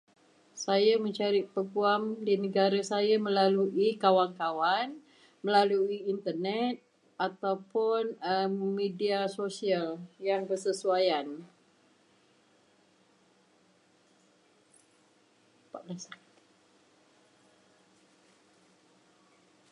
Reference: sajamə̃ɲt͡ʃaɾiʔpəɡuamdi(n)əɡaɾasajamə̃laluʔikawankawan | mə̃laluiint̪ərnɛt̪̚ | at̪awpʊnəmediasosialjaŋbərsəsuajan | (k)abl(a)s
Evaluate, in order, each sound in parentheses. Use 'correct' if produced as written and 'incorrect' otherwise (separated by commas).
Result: correct, incorrect, correct